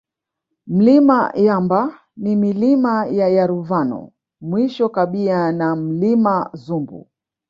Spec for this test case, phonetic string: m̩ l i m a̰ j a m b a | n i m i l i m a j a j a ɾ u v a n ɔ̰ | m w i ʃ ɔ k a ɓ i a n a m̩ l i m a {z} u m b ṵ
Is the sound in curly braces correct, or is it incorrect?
correct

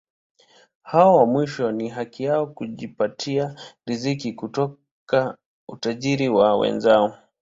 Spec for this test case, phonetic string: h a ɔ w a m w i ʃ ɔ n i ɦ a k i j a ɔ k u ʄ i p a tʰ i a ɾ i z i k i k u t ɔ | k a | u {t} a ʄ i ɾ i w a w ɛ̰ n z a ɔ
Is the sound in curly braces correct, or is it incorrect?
correct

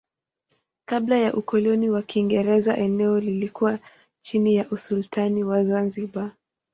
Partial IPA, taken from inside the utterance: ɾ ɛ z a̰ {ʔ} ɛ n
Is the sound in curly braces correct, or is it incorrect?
correct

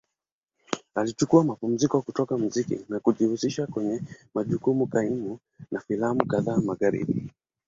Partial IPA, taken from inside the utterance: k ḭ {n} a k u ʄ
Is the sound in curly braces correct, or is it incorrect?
correct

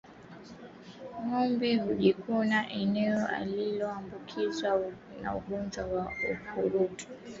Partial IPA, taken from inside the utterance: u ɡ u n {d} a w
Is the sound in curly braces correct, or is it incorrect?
incorrect: d͡ʒ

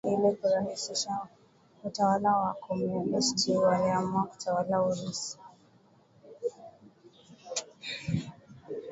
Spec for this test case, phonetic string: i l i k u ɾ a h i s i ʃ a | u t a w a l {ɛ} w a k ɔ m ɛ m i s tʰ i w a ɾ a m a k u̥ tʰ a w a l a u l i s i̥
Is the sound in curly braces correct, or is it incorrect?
incorrect: a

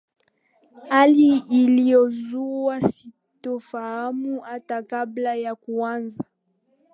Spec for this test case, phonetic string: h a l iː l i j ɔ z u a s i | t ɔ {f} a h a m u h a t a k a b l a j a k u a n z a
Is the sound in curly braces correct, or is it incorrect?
correct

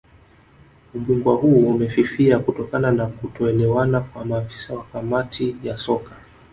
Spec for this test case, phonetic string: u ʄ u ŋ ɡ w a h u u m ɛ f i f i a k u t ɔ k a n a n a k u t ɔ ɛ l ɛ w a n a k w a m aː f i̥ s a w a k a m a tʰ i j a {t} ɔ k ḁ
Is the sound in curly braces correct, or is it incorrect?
incorrect: s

